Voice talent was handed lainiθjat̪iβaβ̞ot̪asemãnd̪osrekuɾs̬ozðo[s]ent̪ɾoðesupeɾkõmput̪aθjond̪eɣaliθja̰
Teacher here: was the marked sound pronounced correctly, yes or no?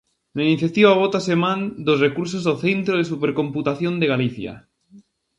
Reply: no